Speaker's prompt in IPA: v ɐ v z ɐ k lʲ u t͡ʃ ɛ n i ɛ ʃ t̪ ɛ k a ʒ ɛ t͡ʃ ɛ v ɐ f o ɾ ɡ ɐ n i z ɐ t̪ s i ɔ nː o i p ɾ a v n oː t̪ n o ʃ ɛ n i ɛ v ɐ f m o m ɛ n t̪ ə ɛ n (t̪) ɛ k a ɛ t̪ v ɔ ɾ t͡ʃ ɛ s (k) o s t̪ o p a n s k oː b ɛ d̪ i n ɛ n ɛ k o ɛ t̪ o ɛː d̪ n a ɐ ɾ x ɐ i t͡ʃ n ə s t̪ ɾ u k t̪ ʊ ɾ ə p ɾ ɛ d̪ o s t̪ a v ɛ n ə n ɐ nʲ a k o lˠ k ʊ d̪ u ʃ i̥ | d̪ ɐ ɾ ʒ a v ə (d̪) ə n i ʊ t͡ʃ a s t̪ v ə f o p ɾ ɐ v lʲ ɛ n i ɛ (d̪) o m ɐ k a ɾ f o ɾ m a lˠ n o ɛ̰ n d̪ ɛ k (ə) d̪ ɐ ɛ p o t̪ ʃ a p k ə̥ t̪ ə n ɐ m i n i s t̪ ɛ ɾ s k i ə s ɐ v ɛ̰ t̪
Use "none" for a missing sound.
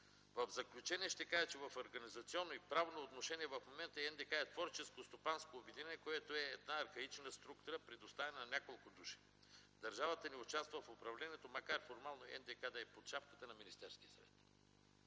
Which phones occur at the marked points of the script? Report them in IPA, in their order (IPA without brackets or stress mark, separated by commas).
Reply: d̪, k, t̪, t̪, a